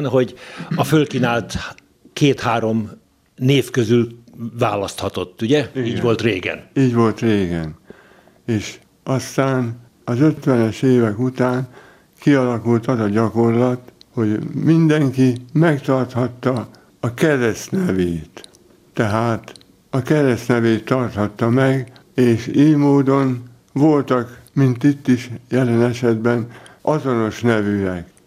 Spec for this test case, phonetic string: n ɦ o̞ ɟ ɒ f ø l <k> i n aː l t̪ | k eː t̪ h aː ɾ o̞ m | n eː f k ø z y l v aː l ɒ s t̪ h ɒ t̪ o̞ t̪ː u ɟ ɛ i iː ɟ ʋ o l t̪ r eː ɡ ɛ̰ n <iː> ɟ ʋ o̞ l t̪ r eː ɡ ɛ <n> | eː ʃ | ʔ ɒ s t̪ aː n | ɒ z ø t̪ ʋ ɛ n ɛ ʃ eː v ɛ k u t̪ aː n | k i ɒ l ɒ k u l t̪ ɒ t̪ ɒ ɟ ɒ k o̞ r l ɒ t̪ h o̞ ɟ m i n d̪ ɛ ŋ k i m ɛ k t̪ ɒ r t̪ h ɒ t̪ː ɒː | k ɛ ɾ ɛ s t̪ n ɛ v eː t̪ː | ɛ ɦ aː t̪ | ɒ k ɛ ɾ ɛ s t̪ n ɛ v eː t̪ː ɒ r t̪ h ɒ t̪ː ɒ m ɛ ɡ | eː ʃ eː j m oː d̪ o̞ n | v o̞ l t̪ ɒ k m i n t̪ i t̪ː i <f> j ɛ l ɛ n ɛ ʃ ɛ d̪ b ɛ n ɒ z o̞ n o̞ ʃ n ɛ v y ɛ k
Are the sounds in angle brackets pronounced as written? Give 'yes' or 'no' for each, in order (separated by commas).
yes, yes, yes, no